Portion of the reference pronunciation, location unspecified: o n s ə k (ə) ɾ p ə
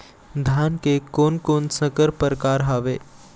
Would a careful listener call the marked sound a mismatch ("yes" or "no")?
no